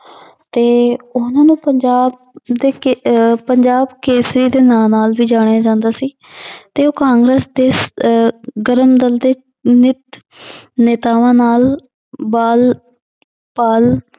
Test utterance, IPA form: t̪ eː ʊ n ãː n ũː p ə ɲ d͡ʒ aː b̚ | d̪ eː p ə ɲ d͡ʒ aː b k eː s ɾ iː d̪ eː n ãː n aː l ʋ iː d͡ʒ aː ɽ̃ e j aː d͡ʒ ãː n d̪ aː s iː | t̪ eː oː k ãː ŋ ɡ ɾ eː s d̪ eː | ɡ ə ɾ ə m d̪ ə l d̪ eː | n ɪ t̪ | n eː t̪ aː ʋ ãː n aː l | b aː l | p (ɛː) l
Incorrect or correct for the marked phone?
incorrect: aː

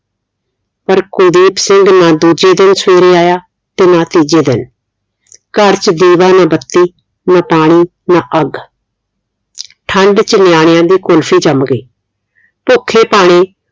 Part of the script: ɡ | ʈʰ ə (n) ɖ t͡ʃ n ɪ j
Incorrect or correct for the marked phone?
incorrect: ɳ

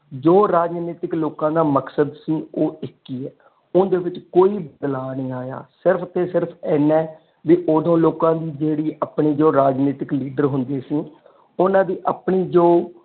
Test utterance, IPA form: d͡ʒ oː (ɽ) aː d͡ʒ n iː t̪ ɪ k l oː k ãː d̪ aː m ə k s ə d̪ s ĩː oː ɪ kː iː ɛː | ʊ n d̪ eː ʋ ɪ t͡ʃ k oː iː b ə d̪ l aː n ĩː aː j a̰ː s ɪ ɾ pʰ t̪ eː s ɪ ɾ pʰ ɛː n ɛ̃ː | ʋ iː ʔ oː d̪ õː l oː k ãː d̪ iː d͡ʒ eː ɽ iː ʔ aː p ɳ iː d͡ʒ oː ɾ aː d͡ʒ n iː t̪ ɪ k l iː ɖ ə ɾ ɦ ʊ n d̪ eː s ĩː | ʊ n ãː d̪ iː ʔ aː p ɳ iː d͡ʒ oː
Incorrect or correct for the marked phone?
incorrect: ɾ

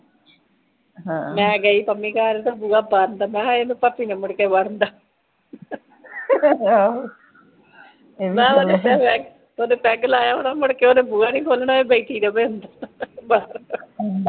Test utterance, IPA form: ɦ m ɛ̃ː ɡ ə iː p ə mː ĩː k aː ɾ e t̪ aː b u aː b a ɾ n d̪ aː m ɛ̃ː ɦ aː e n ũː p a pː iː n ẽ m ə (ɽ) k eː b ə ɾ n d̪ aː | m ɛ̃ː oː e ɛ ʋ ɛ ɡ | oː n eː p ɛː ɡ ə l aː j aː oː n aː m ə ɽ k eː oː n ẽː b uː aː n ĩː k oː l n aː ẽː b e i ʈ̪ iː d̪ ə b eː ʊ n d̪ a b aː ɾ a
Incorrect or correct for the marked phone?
correct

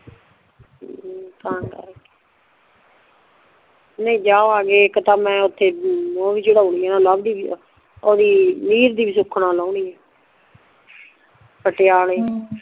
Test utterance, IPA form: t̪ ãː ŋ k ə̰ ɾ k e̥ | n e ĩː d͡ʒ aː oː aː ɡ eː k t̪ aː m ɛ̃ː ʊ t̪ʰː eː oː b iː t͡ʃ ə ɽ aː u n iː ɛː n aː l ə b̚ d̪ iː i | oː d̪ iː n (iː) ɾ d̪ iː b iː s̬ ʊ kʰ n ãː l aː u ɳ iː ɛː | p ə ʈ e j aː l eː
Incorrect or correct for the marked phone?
correct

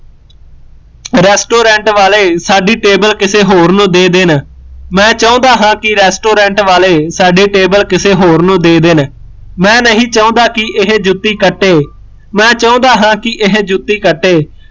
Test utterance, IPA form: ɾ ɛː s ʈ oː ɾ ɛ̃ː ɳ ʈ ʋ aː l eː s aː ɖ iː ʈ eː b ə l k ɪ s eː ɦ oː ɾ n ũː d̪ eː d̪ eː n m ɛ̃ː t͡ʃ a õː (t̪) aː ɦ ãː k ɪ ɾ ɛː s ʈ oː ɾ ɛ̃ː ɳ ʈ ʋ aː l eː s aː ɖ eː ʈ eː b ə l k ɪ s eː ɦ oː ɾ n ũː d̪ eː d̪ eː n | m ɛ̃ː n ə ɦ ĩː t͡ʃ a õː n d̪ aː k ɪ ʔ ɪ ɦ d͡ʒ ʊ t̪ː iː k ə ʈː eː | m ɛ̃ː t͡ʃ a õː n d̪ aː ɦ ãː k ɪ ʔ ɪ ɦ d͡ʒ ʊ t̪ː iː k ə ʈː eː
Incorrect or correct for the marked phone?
incorrect: d̪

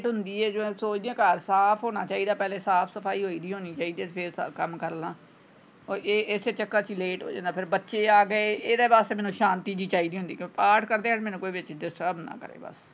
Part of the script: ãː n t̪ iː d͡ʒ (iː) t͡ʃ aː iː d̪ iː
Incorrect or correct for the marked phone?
correct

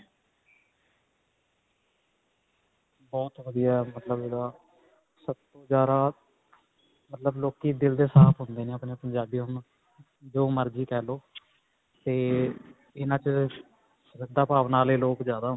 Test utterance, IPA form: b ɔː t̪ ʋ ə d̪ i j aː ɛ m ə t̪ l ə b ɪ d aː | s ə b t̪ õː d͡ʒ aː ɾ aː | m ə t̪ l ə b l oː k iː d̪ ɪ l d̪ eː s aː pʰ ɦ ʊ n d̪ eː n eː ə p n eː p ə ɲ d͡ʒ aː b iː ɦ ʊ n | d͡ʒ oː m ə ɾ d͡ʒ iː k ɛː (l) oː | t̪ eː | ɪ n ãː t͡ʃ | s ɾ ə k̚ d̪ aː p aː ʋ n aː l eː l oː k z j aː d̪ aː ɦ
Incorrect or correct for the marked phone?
correct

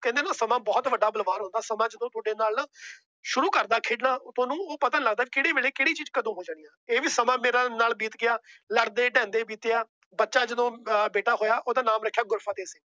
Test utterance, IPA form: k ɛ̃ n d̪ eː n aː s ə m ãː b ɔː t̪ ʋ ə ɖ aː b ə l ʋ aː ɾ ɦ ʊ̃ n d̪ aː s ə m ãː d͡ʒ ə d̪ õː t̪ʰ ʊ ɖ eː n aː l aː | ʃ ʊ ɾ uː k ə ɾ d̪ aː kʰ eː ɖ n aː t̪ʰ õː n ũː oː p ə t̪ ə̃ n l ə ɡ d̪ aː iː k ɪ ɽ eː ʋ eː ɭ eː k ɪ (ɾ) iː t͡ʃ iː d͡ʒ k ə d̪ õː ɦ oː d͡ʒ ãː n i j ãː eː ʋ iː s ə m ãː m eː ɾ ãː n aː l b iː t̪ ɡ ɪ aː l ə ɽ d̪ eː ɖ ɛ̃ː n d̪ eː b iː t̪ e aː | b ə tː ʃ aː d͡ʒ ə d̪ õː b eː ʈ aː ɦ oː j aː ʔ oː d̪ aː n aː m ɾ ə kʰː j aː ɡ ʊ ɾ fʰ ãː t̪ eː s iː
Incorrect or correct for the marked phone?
incorrect: ɽ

